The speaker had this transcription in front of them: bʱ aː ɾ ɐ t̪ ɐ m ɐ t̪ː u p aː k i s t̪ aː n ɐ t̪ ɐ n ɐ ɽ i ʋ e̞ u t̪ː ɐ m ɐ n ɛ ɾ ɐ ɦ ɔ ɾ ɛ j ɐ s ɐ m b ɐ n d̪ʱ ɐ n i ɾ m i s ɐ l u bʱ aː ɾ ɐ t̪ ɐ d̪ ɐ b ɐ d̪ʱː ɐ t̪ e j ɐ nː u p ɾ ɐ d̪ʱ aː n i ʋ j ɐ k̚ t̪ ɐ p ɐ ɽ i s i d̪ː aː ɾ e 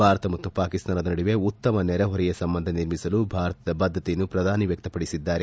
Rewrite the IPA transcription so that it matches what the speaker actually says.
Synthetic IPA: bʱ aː ɾ ɐ t̪ ɐ m ɐ t̪ː u p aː k i s t̪ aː n ɐ d̪ ɐ n ɐ ɽ i ʋ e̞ u t̪ː ɐ m ɐ n ɛ ɾ ɐ ɦ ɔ ɾ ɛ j ɐ s ɐ m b ɐ n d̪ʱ ɐ n i ɾ m i s ɐ l u bʱ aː ɾ ɐ t̪ ɐ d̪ ɐ b ɐ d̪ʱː ɐ t̪ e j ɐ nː u p ɾ ɐ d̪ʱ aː n i ʋ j ɐ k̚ t̪ ɐ p ɐ ɽ i s i d̪ː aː ɾ e